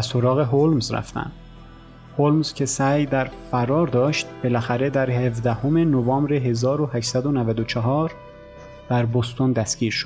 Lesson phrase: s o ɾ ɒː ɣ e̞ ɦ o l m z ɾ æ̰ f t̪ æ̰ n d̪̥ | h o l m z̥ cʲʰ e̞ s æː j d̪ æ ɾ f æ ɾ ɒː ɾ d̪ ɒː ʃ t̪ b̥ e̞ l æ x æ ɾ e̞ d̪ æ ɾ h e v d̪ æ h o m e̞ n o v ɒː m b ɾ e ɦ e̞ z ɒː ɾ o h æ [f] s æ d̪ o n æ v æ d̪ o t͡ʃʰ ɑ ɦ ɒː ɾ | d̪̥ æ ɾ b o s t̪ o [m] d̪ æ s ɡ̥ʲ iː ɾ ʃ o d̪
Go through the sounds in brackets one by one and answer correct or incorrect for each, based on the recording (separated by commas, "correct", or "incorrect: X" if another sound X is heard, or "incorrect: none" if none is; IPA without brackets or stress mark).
incorrect: ʃ, incorrect: n